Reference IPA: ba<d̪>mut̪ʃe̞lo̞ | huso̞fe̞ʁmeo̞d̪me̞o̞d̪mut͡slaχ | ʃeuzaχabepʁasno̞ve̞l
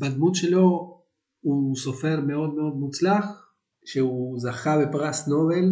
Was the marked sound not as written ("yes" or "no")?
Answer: no